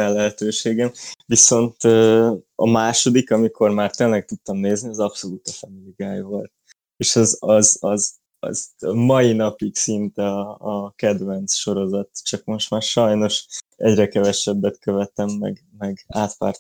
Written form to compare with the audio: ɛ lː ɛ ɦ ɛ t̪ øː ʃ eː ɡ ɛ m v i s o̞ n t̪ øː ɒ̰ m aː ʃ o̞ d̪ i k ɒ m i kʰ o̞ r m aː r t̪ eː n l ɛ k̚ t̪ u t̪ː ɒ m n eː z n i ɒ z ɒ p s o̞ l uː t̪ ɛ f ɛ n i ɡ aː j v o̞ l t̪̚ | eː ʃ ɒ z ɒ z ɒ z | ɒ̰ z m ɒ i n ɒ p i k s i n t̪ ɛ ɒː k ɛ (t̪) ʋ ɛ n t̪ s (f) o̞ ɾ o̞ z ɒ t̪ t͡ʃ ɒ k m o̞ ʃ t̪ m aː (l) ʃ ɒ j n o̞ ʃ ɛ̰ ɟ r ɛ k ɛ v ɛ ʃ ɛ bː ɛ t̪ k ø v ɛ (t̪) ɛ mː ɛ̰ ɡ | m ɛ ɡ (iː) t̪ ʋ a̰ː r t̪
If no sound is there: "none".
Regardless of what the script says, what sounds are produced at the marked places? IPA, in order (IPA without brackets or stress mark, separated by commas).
d̪, ʃ, r, t̪, aː